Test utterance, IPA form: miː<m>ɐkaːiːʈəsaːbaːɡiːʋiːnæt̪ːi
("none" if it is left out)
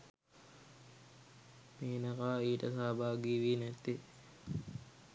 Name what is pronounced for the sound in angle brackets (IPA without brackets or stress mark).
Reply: n